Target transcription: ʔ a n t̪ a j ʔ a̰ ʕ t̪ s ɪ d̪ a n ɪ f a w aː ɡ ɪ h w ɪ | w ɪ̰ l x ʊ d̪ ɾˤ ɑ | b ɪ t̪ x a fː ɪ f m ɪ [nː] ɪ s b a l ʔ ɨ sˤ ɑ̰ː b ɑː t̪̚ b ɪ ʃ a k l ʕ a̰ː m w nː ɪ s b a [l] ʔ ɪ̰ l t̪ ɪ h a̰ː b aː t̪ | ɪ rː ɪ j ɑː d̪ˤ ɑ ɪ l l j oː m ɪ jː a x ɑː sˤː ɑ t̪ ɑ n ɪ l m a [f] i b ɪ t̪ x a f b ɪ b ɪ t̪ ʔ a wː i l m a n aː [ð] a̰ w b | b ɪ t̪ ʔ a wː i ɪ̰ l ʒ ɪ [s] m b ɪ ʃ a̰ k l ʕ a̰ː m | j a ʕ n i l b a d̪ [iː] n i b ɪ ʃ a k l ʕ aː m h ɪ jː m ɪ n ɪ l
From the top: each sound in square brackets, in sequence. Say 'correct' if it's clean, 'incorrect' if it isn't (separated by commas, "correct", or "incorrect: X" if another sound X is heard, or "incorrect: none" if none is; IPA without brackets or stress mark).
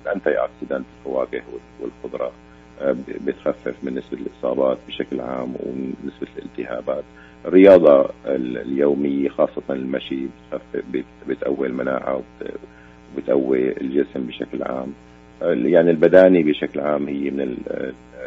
correct, correct, incorrect: ʃ, incorrect: ʕ, correct, incorrect: aː